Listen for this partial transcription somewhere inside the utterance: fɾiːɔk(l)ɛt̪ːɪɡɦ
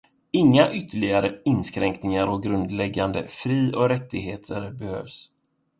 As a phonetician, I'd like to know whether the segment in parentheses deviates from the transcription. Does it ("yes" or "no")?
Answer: yes